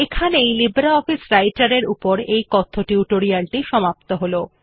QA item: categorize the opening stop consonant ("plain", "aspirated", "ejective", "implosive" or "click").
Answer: aspirated